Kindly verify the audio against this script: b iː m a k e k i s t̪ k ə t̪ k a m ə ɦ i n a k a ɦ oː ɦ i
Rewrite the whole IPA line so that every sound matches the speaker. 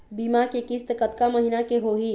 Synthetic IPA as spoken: b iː m a k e k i s t̪ k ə t̪ k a m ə ɦ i n a k e ɦ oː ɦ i